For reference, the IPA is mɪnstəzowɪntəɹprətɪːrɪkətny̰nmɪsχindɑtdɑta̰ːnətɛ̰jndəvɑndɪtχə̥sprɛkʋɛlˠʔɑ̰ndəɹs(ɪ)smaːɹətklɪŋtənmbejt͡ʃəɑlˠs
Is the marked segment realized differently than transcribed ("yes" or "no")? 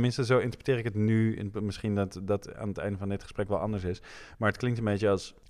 no